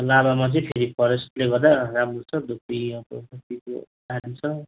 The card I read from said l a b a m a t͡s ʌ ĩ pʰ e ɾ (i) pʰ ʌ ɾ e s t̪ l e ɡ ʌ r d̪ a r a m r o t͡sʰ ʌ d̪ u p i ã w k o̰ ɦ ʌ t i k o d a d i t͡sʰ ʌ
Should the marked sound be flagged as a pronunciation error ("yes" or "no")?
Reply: no